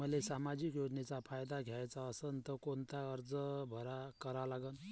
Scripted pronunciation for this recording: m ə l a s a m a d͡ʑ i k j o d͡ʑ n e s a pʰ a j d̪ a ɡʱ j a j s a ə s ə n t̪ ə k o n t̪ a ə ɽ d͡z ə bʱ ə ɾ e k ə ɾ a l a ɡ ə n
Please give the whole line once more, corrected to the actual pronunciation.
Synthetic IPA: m ə l e s a m a d͡ʑ i k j o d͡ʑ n e t͡s a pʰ a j d̪ a ɡʱ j a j t͡s a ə s ə n t̪ ə k o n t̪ a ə ɾ d͡z ə bʱ ə ɾ a k ə ɾ a l a ɡ ə n

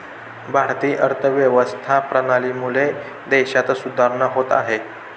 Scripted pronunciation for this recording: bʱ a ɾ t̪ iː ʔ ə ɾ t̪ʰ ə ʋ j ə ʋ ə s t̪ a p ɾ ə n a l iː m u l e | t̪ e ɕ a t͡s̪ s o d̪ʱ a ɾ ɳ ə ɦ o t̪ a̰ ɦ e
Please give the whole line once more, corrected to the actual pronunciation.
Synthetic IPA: bʱ a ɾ t̪ iː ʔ ə ɾ t̪ʰ ə ʋ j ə ʋ ə s t̪ʰ a p ɾ ə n a l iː m u l e | d̪ e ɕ a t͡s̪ s u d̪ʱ a ɾ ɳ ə ɦ o t̪ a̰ ɦ e

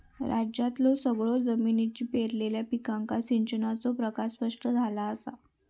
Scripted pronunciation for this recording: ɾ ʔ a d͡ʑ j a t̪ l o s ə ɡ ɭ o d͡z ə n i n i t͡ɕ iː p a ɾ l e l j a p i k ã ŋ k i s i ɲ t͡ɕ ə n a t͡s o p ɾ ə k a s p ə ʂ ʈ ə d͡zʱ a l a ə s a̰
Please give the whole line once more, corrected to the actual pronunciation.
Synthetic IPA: ɾ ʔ a d͡ʑ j a t̪ l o s ə ɡ ɭ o d͡z ə m i n i t͡ɕ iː p e ɾ l e l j a p i k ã ŋ k a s i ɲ t͡ɕ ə n a t͡s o p ɾ ə k a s p ə ʂ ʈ ə d͡zʱ a l a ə s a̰

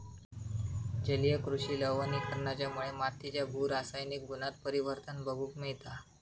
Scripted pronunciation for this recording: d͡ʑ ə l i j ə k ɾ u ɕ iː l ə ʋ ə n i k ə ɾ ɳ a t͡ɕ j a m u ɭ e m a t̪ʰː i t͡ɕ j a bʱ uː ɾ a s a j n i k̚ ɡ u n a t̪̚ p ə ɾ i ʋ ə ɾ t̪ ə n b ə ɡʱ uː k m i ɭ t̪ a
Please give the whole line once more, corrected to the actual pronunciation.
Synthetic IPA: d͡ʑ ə l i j ə k ɾ u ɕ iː l ə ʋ ə n i k ə ɾ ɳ a t͡ɕ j a m u ɭ e m a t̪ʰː i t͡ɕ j a bʱ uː ɾ a s a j n i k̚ ɡ u n a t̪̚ p ə ɾ i ʋ ə ɾ t̪ ə n b ə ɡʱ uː k m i ɭ t̪ a

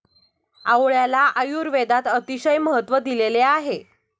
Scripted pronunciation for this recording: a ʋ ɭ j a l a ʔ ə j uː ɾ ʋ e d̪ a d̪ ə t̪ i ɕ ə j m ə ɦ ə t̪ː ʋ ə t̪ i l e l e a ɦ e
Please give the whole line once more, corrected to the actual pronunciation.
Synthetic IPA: a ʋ ɭ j a l a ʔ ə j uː ɾ ʋ e d̪ a t̪ ə t̪ i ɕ ə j m ə ɦ ə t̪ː ʋ ə d̪ i l e l e a ɦ e

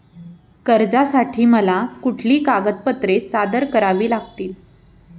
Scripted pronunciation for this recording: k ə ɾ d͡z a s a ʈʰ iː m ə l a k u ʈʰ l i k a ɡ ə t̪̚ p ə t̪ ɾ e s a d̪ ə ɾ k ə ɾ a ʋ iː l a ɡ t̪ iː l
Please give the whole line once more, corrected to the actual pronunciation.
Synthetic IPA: k ə ɾ d͡z a s a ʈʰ iː m ə l a k u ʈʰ l iː k a ɡ ə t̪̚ p ə t̪ ɾ e s a d̪ ə ɾ k ə ɾ a ʋ iː l a ɡ t̪ iː l

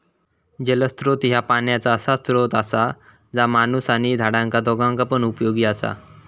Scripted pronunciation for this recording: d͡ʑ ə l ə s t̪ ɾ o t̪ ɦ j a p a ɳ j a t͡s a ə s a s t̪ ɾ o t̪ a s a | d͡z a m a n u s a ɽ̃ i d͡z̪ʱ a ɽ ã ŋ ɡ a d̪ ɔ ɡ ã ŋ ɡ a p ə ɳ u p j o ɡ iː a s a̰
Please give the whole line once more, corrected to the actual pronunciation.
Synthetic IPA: d͡ʑ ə l ə s t̪ ɾ o t̪ ɦ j a p a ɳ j a t͡s a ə s a s t̪ ɾ o t̪ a s a | d͡z a m a n u s a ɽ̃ i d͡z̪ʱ a ɽ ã ŋ k a d̪ ɔ ɡ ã ŋ k a p ə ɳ u p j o ɡ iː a s a̰

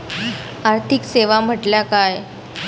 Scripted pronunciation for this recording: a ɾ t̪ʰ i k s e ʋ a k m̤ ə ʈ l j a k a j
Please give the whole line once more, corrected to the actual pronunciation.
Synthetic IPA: a ɾ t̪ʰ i k s e ʋ a m̤ ə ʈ l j a k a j

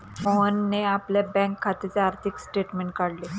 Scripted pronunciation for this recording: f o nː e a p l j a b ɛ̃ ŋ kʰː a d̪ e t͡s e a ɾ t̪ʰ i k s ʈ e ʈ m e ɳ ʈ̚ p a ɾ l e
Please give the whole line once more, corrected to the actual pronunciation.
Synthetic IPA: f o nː e a p l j a b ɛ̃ ŋ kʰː a t̪ e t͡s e a ɾ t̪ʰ i k s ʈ e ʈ m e ɳ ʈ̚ k a ɽ l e

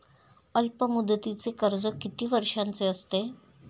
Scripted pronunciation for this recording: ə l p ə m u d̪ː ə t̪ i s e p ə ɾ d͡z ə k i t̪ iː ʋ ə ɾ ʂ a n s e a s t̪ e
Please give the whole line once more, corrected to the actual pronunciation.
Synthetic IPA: ə l p ə m u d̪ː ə t̪ i t͡s e k ə ɾ d͡z ə k i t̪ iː ʋ ə ɾ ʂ a n t͡s e ə s t̪ e

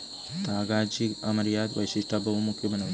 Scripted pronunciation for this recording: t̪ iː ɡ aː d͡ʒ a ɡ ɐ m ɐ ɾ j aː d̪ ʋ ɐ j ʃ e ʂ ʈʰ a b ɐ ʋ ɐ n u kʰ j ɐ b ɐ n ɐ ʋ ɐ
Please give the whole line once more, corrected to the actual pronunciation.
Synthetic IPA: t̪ aː ɡ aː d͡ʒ i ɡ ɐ m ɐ ɾ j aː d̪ ʋ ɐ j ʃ i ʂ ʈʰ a b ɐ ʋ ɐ m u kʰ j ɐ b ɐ n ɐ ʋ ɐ

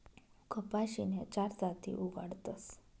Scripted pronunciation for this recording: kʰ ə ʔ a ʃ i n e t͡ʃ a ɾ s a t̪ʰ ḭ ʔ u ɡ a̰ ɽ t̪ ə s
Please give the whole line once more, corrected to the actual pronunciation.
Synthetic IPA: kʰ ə p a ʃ i n e t͡ʃ a ɾ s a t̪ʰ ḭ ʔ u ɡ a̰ ɽ t̪ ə s

